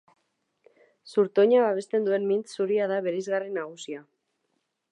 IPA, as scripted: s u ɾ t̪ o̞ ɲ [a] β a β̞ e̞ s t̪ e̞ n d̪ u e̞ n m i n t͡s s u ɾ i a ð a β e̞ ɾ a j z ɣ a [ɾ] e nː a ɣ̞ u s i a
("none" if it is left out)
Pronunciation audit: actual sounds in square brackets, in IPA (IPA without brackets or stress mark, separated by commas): a, r